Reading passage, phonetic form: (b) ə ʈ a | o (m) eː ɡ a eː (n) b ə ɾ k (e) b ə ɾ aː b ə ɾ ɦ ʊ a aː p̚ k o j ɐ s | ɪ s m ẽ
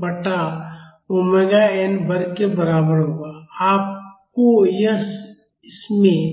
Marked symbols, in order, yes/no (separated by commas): yes, yes, yes, yes